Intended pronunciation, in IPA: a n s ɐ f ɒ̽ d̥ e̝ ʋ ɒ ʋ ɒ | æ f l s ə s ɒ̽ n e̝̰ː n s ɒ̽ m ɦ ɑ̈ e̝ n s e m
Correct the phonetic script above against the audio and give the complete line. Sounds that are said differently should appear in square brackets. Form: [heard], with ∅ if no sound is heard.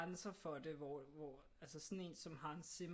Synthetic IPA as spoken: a n s ɐ f ɒ̽ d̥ e̝ ʋ ɒ ʋ ɒ | æ [∅] l s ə s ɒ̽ n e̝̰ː n s ɒ̽ m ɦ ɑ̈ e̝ n s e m